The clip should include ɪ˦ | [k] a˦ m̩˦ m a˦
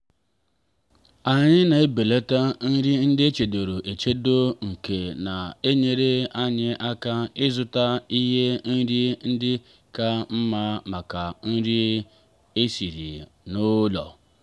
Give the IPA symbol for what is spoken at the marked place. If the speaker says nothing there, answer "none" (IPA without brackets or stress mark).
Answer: k